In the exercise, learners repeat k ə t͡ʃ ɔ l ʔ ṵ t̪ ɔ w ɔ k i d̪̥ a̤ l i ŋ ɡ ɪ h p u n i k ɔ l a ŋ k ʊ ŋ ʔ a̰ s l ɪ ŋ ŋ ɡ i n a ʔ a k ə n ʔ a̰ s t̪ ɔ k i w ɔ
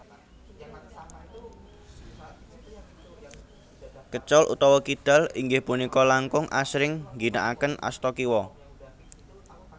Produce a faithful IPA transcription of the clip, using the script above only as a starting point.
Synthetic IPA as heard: k ə t͡ʃ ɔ l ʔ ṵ t̪ ɔ w ɔ k i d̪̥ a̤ l i ŋ ɡ ɪ h p u n i k ɔ l a ŋ k ʊ ŋ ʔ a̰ s ɾ ɪ ŋ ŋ ɡ i n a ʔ a k ə n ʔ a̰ s t̪ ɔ k i w ɔ